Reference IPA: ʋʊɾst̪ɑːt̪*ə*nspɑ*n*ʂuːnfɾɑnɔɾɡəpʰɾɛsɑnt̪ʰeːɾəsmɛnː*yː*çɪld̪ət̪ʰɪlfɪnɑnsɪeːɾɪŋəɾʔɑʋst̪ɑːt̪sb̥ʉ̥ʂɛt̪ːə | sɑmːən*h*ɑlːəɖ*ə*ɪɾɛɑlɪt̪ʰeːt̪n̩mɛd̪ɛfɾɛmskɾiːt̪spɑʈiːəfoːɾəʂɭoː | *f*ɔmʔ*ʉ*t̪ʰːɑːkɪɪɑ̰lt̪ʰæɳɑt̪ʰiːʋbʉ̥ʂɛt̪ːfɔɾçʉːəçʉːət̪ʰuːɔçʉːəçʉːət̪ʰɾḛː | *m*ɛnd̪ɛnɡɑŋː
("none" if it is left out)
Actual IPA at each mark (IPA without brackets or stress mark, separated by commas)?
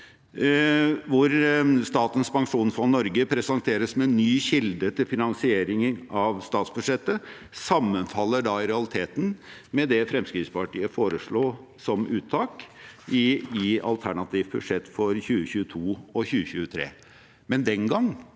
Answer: ə, ŋ, yː, f, ɑ, s, ʉː, m